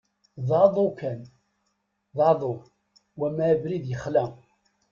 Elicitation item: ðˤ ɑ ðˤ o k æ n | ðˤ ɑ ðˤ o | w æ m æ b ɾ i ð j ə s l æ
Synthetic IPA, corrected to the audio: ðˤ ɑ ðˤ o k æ n | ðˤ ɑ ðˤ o | w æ m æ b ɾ i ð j ə χ l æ